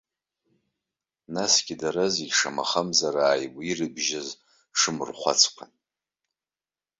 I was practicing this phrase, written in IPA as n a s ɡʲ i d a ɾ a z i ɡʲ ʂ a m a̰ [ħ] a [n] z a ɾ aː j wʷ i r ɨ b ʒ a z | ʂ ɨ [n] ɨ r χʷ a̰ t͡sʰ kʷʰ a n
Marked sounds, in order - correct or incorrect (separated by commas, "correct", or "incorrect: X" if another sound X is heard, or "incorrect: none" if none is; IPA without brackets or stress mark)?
incorrect: χ, incorrect: m, incorrect: m